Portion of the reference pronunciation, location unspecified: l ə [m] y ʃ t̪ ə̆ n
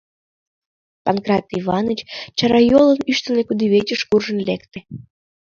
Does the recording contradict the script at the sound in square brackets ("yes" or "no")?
yes